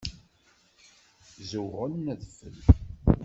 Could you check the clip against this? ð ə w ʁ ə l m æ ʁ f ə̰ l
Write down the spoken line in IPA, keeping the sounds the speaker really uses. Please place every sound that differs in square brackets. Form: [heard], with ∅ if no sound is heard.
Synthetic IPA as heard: [z] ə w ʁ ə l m æ [ð] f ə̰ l